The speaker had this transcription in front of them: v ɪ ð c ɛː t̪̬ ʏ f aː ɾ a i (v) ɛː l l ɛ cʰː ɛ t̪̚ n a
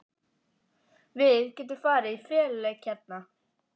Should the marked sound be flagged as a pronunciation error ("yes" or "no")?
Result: yes